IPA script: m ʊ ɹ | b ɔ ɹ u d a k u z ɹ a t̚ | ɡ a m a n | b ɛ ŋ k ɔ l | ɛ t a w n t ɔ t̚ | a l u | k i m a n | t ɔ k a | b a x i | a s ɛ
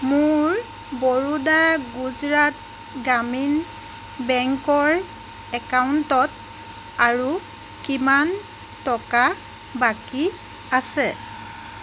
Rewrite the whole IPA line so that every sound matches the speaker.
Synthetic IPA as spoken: m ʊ ɹ | b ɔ ɹ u d a ɡ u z ɹ a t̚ | ɡ a m i n | b ɛ ŋ k ɔ ɹ | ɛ k a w n t ɔ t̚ | a ɹ u | k i m a n | t ɔ k a | b a k i | a s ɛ